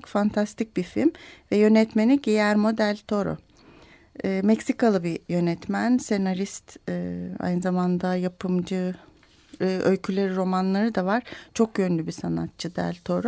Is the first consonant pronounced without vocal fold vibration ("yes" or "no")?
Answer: yes